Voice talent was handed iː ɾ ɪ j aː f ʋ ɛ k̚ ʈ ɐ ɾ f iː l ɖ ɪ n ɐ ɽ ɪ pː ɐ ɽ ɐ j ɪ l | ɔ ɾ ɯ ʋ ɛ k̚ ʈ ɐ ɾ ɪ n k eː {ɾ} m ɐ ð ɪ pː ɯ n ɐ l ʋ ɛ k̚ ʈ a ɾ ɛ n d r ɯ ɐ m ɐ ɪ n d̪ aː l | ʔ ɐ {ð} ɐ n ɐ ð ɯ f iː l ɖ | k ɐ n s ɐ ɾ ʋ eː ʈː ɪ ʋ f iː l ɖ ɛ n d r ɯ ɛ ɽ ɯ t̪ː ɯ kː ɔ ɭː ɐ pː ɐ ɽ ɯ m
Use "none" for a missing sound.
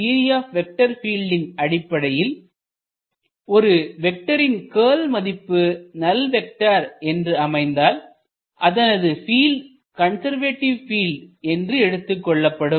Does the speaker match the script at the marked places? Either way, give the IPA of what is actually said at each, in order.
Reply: l, ð

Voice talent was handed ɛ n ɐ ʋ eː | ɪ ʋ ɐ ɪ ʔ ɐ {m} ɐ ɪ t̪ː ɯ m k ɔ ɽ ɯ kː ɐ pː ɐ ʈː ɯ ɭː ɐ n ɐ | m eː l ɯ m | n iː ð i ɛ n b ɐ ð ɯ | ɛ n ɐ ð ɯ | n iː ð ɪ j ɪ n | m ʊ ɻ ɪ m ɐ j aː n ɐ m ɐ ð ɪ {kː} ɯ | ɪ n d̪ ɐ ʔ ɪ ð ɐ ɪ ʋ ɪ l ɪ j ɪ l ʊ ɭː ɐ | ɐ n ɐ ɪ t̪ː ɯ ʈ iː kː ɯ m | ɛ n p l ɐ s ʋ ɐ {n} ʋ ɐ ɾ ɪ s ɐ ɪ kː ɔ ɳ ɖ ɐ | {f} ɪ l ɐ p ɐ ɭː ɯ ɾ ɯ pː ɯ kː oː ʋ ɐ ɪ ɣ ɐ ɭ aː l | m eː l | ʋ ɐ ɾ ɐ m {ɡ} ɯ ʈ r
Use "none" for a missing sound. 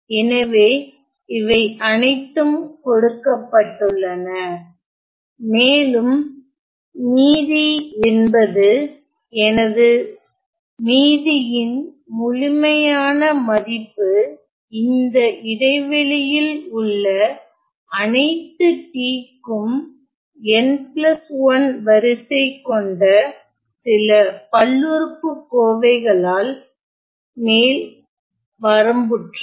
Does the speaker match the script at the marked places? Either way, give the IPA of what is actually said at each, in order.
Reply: n, pː, n, s, b

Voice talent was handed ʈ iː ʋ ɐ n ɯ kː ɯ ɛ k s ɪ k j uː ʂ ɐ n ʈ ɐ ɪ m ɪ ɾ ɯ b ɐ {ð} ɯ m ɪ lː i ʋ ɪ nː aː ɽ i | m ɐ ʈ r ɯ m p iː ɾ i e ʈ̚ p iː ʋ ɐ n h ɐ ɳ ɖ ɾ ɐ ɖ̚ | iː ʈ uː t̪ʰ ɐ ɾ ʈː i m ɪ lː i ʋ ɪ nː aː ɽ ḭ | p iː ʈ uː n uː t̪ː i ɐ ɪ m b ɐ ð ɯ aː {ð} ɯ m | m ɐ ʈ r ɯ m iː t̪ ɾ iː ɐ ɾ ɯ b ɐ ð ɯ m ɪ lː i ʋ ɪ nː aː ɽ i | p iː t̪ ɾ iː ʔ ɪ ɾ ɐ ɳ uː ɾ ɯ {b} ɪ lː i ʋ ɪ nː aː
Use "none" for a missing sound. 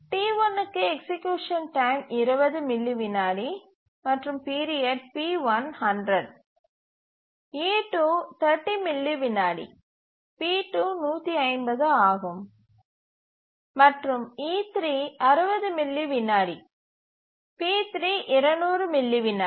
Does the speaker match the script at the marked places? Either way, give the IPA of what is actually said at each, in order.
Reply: ð, ɣ, m

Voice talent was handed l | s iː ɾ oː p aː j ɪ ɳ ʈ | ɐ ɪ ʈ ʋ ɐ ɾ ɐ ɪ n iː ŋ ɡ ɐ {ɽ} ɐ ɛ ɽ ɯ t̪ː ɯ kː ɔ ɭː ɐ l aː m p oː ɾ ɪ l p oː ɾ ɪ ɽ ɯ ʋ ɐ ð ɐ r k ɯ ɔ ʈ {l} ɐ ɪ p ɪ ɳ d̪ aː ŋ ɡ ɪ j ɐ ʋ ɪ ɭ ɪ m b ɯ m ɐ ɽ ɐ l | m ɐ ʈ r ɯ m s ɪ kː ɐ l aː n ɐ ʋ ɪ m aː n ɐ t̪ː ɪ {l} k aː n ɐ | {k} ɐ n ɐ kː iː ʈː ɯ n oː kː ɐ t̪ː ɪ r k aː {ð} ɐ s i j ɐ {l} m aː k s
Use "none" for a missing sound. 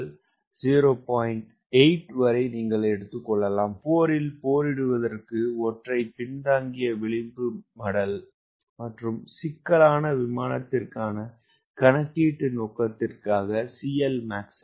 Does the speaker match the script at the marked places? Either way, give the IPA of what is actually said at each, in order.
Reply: ɭ, r, r, k, ɣ, l

